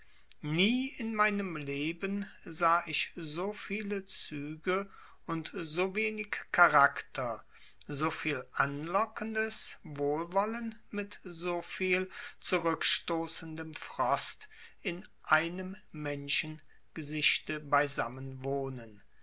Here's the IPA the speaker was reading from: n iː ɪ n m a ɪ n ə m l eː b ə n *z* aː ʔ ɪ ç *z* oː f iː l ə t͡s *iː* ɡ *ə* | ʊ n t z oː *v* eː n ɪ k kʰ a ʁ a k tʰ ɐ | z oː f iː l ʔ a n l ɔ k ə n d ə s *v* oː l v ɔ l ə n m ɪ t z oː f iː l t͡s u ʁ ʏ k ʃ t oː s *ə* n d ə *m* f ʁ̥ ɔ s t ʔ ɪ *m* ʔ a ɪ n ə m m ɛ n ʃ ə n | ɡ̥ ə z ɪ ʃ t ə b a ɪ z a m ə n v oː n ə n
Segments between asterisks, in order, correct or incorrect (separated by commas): correct, correct, incorrect, correct, correct, correct, correct, correct, incorrect